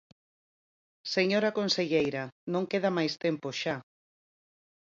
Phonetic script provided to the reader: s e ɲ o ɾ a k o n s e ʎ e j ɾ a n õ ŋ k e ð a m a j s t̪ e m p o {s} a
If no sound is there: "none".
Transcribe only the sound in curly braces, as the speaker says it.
ʃ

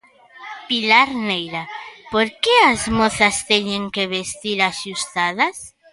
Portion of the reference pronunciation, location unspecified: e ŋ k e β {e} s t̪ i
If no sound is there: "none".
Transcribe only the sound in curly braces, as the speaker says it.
e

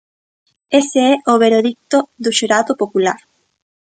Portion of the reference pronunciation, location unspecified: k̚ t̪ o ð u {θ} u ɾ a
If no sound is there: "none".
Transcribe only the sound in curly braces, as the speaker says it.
ʃ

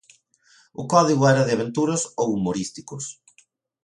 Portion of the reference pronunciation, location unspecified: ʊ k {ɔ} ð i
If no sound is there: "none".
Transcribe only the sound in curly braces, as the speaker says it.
ɔ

